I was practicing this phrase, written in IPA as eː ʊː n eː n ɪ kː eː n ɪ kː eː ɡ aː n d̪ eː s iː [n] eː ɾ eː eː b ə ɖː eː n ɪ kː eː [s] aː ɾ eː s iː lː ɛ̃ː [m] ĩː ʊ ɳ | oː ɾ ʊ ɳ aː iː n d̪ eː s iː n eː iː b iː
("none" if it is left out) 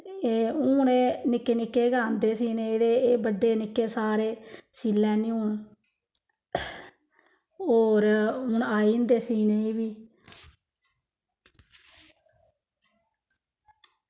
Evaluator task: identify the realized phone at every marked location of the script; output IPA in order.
n, s, n

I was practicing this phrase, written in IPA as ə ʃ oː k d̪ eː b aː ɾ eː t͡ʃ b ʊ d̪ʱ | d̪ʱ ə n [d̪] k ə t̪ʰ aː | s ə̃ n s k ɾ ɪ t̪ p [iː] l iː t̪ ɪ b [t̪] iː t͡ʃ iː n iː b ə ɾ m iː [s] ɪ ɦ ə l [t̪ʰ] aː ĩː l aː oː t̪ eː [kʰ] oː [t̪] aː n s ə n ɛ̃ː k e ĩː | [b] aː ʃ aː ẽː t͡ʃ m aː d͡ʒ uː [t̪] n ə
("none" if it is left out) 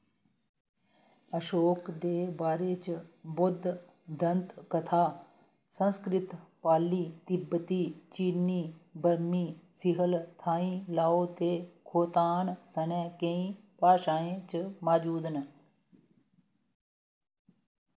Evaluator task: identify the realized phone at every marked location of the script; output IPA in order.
t̪, aː, t̪, s, t̪ʰ, kʰ, t̪, p, d̪

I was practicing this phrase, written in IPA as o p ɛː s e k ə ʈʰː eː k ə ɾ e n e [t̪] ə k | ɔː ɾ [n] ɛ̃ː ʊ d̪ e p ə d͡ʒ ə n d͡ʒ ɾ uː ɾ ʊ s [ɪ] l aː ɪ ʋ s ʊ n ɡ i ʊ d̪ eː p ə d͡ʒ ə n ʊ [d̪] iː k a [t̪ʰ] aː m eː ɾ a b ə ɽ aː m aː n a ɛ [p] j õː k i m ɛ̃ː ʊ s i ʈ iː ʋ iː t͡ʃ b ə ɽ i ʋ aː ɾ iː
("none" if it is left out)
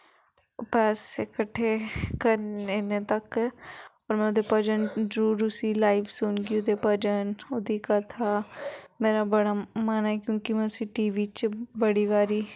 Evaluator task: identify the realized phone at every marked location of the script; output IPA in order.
t̪, m, i, d̪, t̪ʰ, k

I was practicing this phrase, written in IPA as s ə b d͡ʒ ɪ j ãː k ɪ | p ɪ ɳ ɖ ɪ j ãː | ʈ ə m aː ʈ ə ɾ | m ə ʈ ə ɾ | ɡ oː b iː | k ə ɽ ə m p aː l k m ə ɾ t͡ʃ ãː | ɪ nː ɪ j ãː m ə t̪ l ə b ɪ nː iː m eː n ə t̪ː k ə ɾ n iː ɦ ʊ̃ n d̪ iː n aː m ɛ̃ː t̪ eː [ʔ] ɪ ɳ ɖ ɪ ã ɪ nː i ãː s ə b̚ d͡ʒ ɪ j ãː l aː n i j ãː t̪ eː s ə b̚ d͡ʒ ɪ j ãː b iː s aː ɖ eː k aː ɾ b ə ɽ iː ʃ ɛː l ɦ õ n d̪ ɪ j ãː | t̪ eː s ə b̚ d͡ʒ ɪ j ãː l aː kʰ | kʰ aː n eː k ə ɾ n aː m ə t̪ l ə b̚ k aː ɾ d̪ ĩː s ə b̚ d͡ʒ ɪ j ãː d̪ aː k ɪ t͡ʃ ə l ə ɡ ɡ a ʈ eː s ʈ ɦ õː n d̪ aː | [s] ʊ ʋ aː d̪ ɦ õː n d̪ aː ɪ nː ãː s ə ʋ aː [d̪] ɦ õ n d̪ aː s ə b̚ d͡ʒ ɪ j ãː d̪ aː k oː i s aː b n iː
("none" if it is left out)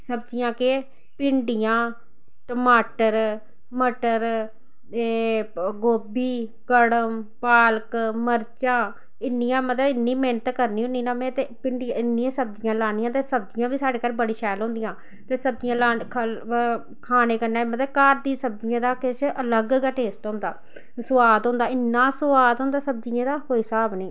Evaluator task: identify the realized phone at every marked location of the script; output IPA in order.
p, s, d̪

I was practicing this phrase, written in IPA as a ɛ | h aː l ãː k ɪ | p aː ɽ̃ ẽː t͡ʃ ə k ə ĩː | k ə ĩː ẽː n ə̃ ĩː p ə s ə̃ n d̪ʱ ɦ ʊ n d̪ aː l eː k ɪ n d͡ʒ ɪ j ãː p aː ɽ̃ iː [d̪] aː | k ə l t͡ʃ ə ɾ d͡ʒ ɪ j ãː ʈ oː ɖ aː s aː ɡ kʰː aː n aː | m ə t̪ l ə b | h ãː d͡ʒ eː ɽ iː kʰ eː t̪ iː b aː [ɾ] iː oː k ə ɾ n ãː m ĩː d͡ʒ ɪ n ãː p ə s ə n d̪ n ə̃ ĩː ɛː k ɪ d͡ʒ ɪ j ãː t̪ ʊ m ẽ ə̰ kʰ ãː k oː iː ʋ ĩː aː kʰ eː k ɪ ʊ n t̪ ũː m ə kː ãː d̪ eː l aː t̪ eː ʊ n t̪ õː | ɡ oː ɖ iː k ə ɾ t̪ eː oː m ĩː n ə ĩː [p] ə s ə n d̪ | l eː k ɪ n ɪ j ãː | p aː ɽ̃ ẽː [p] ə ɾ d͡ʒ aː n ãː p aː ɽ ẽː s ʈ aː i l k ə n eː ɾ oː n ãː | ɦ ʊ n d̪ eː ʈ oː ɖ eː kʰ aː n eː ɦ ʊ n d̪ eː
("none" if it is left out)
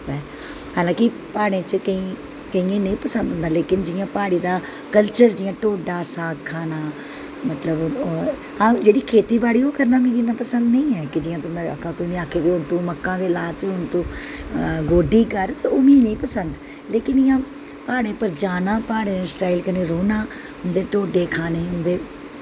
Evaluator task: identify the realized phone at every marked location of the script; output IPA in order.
d̪, ɽ, p, p

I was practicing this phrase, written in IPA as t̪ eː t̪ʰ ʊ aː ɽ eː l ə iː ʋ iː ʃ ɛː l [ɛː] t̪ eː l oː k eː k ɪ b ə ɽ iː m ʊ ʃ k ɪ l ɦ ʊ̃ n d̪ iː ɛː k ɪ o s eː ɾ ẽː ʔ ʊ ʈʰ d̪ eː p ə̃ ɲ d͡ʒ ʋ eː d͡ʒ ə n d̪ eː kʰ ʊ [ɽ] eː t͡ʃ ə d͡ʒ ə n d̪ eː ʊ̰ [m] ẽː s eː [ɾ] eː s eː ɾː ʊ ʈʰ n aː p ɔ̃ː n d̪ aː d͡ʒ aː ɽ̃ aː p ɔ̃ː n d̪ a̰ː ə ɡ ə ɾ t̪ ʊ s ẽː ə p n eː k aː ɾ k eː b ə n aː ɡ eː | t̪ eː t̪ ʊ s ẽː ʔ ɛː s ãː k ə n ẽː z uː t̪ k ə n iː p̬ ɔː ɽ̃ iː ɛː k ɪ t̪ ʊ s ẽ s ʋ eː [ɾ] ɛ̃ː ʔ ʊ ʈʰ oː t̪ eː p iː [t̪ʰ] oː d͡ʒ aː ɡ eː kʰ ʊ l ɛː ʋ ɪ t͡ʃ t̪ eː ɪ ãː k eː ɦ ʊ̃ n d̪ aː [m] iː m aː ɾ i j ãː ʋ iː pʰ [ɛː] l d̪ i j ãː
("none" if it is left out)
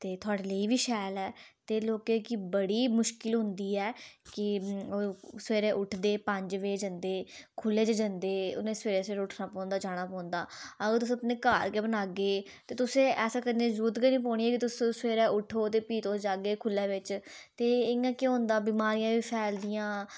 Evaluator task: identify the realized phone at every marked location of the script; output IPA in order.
ɛː, l, n, ɾ, ɾ, t̪, b, ɛː

